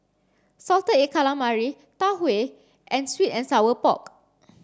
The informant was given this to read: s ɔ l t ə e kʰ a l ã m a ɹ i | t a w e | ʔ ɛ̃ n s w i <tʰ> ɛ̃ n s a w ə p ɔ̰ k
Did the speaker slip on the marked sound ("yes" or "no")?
yes